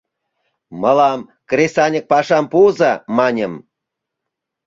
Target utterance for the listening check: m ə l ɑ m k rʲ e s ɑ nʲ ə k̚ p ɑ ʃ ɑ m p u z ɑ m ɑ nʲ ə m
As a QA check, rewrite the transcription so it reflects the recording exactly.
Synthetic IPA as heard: m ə l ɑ m k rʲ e s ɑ nʲ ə k̚ p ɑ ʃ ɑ m p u z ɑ m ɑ nʲ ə m